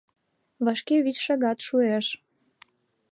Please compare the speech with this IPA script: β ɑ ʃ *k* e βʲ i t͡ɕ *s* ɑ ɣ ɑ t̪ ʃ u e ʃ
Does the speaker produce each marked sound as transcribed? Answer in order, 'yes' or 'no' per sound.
yes, no

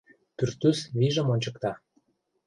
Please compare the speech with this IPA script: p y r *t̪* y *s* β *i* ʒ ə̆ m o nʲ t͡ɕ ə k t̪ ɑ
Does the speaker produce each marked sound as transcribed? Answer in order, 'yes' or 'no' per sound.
yes, yes, yes

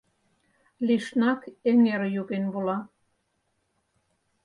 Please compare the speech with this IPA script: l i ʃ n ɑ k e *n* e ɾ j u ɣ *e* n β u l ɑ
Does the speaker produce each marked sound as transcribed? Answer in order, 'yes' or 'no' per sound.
no, yes

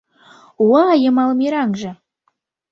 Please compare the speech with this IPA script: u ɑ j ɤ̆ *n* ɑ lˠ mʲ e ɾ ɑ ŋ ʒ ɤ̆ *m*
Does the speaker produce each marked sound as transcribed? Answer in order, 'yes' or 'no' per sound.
no, no

